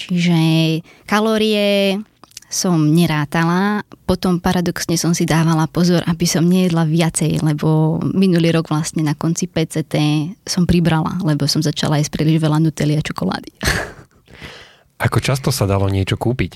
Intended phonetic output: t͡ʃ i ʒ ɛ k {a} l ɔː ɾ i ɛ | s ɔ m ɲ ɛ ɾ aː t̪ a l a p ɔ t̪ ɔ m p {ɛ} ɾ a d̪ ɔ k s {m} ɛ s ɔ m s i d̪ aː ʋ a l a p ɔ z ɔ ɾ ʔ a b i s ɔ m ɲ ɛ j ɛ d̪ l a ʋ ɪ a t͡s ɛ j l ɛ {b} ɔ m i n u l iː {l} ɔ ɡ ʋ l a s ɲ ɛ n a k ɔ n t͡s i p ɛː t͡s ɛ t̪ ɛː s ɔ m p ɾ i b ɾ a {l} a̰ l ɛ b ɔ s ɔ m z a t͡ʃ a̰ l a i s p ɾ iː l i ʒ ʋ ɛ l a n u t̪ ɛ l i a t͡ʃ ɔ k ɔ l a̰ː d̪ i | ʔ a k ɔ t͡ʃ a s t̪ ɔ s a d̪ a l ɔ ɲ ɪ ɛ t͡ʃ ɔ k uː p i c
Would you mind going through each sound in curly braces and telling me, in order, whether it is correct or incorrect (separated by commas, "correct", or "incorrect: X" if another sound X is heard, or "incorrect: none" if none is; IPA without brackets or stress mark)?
correct, incorrect: a, incorrect: ɲ, correct, incorrect: ɾ, correct